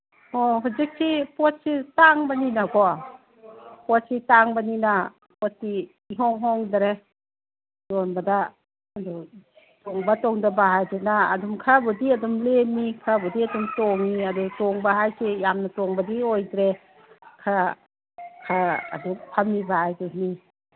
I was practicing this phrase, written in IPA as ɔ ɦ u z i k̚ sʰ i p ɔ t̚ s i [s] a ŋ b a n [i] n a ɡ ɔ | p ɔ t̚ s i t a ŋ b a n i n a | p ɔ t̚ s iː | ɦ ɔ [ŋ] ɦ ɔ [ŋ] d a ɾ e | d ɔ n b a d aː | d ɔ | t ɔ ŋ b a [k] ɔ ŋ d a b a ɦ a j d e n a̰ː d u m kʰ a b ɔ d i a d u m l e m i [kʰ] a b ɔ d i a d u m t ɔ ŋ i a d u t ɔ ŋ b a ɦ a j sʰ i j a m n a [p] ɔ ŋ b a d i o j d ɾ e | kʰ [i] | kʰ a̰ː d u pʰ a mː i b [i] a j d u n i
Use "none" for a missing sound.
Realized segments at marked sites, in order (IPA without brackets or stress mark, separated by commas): t, i, ŋ, ŋ, t, kʰ, t, a, a